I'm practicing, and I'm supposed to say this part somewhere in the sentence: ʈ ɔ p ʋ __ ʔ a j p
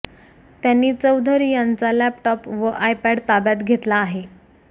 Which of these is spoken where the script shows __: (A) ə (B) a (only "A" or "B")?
A